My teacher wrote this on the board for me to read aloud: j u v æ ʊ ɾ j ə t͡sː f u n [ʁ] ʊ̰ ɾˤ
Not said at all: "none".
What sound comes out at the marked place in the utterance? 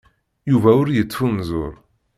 z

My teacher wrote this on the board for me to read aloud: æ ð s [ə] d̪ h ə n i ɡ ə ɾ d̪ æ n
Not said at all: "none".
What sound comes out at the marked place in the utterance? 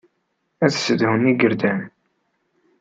ə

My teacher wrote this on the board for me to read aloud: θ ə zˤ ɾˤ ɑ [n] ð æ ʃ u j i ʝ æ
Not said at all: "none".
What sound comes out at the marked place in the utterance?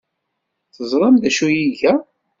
m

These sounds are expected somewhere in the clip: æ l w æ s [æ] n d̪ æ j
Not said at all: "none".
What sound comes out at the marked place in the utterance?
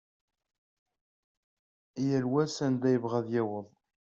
æ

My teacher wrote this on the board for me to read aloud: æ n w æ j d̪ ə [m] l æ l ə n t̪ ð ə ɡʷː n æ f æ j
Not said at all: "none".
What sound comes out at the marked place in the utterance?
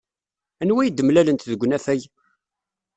m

